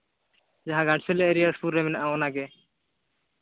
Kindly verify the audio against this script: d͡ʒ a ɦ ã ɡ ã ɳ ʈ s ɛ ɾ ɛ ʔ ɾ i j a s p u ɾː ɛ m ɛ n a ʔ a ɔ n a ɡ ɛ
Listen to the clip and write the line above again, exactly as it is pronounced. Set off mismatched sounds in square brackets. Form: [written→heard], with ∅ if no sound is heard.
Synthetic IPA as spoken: d͡ʒ a ɦ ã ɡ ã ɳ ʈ s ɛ [ɾ→l] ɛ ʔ ɾ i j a s p u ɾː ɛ m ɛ n a ʔ a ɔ n a ɡ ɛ